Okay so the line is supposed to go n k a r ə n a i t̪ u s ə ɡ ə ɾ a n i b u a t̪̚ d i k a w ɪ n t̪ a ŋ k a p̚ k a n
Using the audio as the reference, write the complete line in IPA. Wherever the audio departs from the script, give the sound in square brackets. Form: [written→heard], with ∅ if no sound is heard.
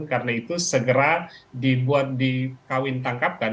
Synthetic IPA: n k a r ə n a i t̪ u s ə ɡ ə ɾ a [n→d] i b u a t̪̚ d i k a w ɪ n t̪ a ŋ k a p̚ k a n